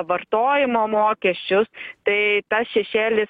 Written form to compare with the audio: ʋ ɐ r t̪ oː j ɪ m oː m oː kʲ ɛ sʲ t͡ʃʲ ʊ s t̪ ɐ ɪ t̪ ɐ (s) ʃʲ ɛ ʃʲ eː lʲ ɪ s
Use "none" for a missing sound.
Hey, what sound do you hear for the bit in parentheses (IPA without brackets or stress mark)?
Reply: s